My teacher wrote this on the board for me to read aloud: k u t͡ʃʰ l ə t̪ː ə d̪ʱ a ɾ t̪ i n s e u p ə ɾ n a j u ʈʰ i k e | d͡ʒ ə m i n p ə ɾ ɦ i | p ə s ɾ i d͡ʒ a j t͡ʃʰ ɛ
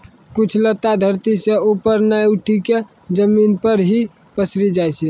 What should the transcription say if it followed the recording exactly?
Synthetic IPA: k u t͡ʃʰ l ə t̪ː a d̪ʱ ə ɾ t̪ i s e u p ə ɾ n a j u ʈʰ i k e | d͡ʒ ə m i n p ə ɾ ɦ i | p ə s ɾ i d͡ʒ a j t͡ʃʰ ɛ